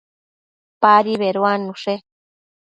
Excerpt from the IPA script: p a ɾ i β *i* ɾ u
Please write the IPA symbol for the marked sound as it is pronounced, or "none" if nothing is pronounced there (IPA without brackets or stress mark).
e